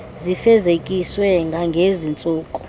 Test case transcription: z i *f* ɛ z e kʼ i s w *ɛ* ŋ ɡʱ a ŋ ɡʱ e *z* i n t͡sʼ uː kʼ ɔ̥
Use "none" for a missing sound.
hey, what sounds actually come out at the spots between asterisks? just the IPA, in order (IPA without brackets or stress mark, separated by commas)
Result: f, ɛ, z